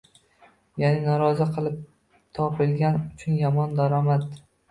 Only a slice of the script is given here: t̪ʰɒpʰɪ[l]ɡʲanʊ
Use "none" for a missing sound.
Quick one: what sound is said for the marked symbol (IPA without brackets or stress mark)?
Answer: l